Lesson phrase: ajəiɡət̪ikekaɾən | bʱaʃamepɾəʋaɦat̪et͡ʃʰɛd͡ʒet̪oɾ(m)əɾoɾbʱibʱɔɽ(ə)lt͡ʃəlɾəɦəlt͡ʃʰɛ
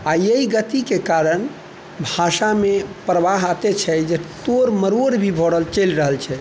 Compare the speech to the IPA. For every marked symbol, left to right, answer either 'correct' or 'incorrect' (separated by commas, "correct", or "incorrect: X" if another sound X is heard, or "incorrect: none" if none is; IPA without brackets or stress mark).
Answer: correct, correct